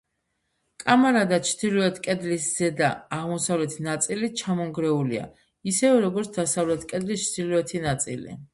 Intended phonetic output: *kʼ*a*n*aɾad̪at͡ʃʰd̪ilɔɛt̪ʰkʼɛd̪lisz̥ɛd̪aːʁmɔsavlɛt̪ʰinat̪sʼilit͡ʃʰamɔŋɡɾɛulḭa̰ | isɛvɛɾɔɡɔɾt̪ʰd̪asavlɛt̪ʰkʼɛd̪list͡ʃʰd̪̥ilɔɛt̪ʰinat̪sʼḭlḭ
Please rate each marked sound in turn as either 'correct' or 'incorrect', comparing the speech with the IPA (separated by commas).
correct, incorrect